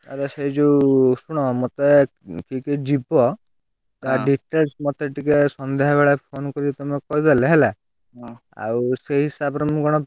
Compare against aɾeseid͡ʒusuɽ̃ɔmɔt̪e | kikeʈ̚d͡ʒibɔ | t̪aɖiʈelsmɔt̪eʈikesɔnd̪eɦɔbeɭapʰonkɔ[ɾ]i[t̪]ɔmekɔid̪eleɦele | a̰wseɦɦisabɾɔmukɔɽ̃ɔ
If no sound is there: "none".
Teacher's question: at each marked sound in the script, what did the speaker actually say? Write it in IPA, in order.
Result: ɾ, t̪

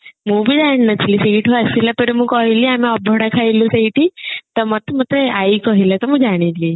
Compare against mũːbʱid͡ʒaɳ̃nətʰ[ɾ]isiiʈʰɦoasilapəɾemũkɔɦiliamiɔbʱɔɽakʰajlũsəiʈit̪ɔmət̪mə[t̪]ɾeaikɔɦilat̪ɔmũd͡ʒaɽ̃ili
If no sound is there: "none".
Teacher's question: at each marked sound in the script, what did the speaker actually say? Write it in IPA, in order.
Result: l, t̪

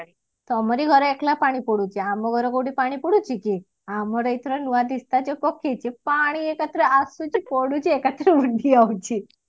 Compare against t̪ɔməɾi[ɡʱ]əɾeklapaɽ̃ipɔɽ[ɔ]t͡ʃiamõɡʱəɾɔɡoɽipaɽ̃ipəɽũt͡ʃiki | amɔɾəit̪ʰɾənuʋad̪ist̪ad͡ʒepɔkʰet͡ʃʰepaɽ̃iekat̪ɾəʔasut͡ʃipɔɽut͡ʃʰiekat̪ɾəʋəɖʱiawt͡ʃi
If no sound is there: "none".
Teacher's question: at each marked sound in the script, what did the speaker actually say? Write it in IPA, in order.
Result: ɡʱ, u

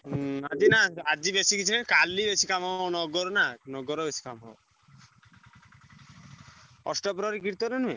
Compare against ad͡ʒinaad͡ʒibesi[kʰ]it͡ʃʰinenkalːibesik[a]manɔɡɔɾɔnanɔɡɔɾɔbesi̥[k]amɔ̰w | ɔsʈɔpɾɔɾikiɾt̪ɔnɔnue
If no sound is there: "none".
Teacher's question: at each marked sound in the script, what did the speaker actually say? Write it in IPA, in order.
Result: k, a, k

